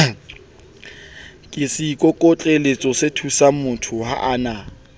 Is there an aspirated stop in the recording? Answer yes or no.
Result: yes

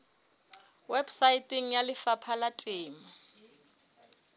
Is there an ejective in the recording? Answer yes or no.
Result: yes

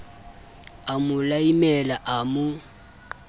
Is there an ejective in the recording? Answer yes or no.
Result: no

